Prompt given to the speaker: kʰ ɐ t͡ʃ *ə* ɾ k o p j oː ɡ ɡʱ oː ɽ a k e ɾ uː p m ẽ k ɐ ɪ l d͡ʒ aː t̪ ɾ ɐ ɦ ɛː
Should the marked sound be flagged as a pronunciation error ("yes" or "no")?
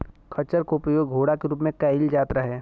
no